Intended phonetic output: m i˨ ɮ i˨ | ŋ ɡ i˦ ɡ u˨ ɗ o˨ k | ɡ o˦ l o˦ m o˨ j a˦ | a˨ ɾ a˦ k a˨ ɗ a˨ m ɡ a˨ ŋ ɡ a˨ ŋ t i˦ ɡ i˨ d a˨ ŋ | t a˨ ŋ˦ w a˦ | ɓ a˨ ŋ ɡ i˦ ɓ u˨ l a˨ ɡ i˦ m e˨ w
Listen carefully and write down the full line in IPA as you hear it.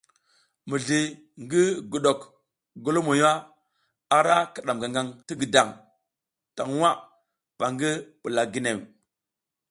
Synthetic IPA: m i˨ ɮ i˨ | ŋ ɡ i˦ ɡ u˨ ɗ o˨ k | ɡ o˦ l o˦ m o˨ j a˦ | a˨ ɾ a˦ k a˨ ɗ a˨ m ɡ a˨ ŋ ɡ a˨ ŋ t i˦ ɡ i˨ d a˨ ŋ | t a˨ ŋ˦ w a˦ | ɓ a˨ ŋ ɡ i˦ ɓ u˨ l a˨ ɡ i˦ n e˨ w